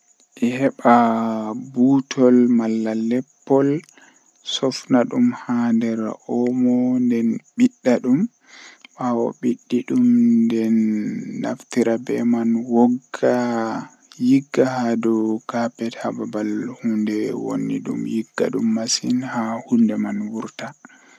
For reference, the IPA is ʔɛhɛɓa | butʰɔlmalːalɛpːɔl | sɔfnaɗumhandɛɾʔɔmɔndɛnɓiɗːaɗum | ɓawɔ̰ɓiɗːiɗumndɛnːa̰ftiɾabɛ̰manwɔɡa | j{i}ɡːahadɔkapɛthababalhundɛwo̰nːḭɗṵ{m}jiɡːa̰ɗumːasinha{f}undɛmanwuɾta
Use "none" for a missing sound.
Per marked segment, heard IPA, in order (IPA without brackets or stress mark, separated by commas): i, m, h